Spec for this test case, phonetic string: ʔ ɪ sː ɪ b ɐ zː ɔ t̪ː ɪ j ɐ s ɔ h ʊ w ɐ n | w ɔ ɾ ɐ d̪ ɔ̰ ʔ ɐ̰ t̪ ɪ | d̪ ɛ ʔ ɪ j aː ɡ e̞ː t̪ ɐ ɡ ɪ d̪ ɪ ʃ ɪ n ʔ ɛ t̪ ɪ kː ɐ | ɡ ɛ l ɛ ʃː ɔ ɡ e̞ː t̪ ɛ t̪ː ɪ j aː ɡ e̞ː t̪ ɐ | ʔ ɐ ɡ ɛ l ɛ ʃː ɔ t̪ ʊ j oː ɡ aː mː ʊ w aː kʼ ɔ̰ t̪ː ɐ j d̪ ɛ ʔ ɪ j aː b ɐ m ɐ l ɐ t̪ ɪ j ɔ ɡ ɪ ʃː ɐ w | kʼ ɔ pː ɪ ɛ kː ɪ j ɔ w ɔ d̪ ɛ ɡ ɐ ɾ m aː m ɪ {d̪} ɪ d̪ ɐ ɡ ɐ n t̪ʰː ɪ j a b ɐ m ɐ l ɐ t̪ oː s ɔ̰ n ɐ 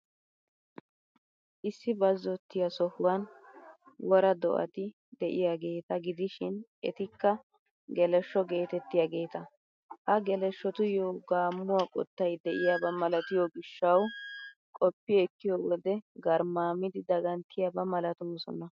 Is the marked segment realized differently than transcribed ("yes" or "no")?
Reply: no